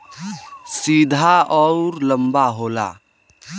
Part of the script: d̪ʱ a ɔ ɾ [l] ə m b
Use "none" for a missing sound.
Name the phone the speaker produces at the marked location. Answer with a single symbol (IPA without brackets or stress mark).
l